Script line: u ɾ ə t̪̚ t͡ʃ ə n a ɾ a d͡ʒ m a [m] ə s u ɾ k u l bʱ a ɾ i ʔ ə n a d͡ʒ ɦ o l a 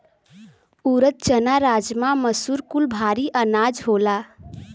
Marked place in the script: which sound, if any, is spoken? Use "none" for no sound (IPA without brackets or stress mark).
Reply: m